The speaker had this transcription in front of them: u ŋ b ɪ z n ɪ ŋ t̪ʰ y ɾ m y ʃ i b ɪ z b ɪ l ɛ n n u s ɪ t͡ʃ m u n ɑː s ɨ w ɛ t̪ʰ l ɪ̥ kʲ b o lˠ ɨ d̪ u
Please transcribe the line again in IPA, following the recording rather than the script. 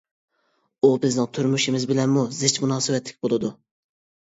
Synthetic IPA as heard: u b ɪ z n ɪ ŋ t̪ʰ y ɾ m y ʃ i m ɪ z b ɪ l ɛ n m u z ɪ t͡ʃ m u n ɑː s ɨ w ɛ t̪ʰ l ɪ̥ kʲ b o lˠ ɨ d̪ u